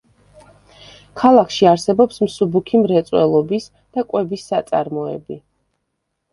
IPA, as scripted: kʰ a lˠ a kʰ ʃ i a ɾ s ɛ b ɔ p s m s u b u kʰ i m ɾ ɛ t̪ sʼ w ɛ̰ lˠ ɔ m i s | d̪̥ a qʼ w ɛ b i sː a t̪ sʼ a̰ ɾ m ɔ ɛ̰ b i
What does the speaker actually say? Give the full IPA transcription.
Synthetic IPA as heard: kʰ a lˠ a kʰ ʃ i a ɾ s ɛ b ɔ p s m s u b u kʰ i m ɾ ɛ t̪ sʼ w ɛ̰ lˠ ɔ b i s | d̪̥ a kʼ w ɛ b i sː a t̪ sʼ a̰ ɾ m ɔ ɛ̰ b i